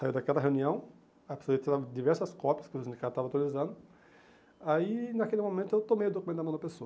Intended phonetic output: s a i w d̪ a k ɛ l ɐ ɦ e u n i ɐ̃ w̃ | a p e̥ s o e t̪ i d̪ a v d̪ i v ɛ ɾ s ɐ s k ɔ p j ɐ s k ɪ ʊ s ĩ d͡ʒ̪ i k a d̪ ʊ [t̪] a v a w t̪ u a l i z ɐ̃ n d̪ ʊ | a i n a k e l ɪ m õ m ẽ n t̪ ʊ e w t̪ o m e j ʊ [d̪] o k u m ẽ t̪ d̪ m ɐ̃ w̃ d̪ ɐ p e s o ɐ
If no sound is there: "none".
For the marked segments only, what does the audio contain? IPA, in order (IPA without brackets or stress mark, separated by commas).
t̪, d̪